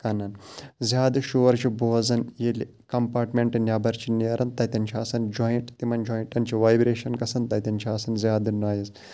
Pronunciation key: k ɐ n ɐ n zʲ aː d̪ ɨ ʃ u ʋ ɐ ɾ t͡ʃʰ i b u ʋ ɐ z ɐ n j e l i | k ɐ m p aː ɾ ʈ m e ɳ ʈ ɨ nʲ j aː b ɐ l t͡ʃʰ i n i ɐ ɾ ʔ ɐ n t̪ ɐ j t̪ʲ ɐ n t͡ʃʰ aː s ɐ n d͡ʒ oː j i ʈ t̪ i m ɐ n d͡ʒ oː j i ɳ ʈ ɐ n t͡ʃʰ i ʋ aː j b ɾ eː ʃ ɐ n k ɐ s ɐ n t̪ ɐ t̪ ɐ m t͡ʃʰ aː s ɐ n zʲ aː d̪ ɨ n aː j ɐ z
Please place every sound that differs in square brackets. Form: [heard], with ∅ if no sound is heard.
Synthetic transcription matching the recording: k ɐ n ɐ n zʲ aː d̪ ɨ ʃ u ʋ ɐ ɾ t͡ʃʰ i b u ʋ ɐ z ɐ n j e l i | k ɐ m p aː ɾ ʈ m e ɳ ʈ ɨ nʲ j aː b ɐ [ɾ] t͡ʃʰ i n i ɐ ɾ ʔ ɐ n t̪ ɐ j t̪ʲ ɐ n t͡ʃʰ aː s ɐ n d͡ʒ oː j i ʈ t̪ i m ɐ n d͡ʒ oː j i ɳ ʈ ɐ n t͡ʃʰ i ʋ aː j b ɾ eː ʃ ɐ n k ɐ s ɐ n t̪ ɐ t̪ ɐ [n] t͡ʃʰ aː s ɐ n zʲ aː d̪ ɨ n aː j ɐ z